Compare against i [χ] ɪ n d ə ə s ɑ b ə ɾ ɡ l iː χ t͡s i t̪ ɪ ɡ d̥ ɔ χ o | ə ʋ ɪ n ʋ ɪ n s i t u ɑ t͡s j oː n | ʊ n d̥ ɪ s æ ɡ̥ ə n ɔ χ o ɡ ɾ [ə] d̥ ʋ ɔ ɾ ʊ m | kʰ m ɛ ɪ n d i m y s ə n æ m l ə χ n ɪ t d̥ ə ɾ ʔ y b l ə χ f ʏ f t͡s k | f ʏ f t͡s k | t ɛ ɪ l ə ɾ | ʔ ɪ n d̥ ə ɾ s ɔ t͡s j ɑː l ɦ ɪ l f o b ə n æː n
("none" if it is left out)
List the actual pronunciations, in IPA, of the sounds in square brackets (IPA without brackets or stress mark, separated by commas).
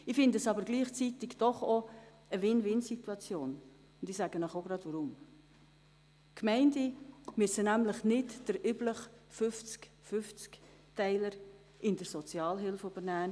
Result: f, ɑ